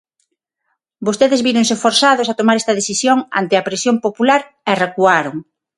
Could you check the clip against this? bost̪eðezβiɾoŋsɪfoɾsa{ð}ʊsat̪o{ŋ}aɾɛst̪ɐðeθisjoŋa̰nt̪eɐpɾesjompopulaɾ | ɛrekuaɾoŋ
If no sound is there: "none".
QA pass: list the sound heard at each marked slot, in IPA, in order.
ð, m

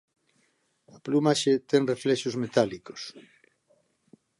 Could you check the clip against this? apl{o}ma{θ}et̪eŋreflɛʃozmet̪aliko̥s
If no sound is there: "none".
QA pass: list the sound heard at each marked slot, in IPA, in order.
u, ʃ

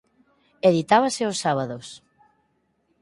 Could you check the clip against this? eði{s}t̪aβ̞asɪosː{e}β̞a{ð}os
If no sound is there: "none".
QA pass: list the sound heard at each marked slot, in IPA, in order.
none, a, ð

